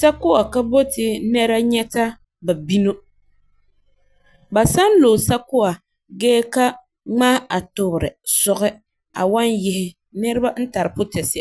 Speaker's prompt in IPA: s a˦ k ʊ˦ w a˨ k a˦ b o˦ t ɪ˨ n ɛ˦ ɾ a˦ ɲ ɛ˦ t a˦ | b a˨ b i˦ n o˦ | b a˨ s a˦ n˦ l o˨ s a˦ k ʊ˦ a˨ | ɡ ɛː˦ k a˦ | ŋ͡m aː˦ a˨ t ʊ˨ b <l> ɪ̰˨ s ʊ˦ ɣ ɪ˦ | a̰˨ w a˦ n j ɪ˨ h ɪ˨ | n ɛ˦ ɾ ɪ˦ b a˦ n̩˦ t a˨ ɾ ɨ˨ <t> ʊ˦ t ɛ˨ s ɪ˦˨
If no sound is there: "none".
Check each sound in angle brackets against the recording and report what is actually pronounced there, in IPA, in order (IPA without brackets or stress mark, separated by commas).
ɾ, p